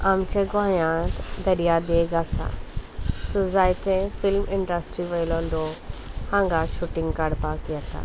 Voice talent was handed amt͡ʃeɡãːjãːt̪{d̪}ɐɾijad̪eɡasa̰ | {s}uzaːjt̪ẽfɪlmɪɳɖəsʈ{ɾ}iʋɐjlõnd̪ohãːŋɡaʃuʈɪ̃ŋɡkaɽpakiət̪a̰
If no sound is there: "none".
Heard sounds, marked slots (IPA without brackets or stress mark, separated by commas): d̪, s, ɾ